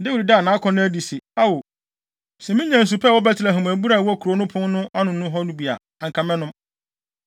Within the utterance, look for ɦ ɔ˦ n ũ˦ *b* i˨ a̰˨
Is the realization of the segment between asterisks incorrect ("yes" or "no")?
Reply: no